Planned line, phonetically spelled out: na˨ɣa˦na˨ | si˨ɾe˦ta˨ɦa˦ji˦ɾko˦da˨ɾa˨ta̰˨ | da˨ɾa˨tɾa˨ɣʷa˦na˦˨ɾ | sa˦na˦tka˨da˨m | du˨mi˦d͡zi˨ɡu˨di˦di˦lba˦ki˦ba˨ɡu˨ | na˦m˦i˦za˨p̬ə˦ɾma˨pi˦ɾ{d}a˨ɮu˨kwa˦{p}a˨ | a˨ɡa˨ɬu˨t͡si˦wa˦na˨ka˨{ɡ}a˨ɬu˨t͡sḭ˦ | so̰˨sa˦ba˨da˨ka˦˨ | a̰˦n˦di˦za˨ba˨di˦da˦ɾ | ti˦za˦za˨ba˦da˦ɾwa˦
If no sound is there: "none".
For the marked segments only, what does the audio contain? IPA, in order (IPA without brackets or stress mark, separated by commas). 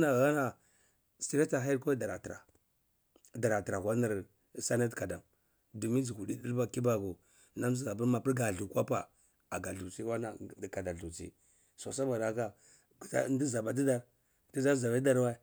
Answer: ɡ, p, d